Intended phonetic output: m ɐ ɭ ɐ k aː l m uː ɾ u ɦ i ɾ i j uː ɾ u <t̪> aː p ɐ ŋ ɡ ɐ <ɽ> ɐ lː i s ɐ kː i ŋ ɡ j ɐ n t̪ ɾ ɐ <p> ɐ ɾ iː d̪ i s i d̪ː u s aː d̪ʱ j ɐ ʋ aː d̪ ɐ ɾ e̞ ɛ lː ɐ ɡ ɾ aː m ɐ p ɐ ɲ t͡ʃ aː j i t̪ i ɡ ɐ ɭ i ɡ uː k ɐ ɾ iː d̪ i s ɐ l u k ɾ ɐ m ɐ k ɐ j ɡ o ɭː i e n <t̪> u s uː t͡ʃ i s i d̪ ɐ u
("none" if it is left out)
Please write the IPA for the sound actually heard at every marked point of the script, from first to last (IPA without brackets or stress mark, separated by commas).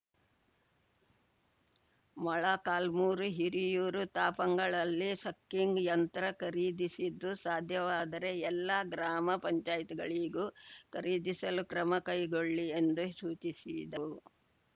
t̪, ɭ, k, d̪